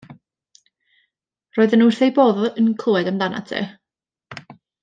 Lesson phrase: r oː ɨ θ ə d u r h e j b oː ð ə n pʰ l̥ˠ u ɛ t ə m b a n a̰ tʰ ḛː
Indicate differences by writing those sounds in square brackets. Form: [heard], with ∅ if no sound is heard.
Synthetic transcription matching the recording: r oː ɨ [ð] ə [n] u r [θ] e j b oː ð ə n [kʰ] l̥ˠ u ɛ [d] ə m [d] a n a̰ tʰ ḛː